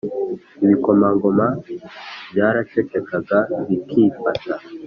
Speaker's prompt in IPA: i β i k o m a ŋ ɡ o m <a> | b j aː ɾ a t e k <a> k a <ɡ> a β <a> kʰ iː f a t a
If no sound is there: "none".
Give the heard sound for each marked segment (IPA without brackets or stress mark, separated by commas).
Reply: a, e, ɡ, i